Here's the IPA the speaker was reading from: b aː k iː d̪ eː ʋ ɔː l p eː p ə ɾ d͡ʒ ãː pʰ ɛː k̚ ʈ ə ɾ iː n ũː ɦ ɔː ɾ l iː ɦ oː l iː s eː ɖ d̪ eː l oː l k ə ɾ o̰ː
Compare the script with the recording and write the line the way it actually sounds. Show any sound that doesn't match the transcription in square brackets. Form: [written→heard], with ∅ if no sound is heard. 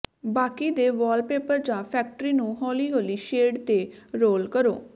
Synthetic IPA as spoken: b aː k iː d̪ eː ʋ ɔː l p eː p ə ɾ d͡ʒ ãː pʰ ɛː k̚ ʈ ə ɾ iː n ũː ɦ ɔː [ɾ→∅] l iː ɦ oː l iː [s→ʃ] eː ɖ [d̪→t̪] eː [l→ɾ] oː l k ə ɾ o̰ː